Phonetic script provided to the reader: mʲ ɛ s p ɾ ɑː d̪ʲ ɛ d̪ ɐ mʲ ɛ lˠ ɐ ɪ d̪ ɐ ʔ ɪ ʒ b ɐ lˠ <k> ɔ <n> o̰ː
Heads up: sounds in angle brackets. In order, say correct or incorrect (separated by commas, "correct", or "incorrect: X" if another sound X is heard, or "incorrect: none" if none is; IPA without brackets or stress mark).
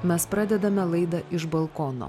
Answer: correct, correct